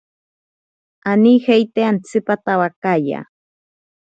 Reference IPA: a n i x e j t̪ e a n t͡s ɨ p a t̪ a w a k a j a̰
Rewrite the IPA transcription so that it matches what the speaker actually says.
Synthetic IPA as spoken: a n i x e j t̪ e a n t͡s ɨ p a t̪ a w a k a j a̰